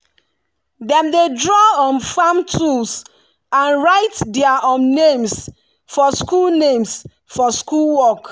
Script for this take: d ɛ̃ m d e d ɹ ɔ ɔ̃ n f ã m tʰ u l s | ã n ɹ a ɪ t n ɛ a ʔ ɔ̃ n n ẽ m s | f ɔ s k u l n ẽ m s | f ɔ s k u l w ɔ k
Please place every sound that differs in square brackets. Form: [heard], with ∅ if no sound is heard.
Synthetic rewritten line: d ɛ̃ m d e d ɹ ɔ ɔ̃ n f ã m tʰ u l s | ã n ɹ a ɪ t [d] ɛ a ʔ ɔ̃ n n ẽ m s | f ɔ s k u l n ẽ m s | f ɔ s k u l w ɔ k